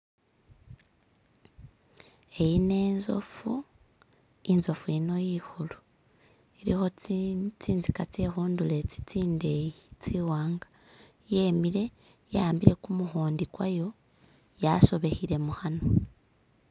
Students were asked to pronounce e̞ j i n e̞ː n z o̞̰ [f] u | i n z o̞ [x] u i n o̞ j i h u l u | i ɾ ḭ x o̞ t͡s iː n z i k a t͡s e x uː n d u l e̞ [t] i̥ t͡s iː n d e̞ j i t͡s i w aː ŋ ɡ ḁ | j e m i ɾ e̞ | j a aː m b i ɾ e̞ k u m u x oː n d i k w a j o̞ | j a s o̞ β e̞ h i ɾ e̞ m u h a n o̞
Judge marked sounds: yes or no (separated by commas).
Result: yes, no, no